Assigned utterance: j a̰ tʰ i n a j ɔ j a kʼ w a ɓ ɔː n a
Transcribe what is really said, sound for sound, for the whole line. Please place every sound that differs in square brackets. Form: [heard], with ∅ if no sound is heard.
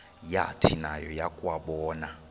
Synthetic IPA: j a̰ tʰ i n a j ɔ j a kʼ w a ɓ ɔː n a